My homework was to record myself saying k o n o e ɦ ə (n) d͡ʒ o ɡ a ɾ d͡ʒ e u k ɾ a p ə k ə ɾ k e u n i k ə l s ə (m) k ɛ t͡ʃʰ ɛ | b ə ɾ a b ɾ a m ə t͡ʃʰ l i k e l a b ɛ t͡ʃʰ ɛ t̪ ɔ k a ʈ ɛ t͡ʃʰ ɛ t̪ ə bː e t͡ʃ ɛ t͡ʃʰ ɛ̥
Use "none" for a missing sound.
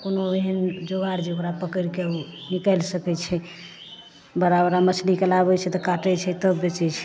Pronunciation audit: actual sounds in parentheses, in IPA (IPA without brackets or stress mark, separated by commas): n, none